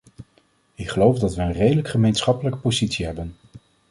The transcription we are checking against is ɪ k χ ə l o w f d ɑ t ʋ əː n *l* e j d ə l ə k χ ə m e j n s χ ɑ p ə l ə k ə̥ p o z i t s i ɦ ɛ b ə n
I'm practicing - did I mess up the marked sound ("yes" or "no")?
yes